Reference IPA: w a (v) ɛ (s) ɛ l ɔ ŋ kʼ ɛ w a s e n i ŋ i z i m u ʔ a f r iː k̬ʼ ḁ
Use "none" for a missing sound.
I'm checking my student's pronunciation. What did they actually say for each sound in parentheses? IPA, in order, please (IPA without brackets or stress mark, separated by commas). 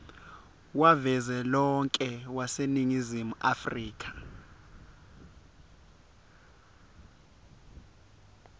v, z